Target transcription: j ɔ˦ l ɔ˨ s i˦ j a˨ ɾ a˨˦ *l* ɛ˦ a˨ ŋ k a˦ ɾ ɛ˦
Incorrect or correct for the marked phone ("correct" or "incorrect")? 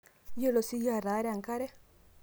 incorrect